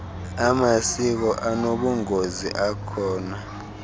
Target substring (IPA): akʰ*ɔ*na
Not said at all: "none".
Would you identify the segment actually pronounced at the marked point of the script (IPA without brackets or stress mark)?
ɔː